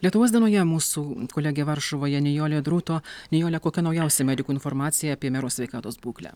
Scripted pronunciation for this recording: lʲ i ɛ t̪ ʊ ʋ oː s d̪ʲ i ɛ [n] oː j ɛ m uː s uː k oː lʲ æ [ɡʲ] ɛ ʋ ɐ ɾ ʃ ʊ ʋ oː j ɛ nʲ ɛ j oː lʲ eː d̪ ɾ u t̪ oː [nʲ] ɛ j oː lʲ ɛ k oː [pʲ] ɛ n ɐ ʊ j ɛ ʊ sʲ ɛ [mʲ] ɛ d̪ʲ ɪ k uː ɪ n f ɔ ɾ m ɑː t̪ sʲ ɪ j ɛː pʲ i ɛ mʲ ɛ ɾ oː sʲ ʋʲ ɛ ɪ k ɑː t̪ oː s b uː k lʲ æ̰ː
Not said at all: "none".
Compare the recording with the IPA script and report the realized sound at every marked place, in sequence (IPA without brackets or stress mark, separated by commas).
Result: n, ɡʲ, nʲ, kʲ, mʲ